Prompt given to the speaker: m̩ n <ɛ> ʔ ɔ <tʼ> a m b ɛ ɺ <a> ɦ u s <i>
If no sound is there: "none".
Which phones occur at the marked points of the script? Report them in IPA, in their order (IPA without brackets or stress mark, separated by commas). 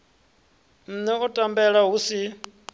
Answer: ɛ, tʼ, a, i